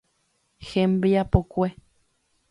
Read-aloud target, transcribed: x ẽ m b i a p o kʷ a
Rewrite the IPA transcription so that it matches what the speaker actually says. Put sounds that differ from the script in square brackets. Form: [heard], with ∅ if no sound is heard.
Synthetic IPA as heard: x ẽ m b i a p o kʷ [e]